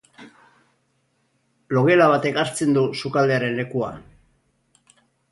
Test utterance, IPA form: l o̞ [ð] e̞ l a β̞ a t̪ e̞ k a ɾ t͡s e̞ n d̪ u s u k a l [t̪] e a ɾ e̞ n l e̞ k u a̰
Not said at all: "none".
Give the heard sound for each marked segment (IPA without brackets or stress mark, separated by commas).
ɣ, d̪